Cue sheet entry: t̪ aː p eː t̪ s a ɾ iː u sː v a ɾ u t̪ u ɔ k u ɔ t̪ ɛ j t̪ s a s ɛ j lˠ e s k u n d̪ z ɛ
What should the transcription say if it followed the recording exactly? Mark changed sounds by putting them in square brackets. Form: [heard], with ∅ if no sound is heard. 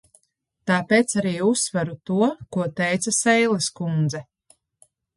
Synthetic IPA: t̪ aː p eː t̪ s a ɾ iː u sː v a ɾ u t̪ u ɔ k u ɔ t̪ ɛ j t̪ s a s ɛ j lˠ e s k u n d̪ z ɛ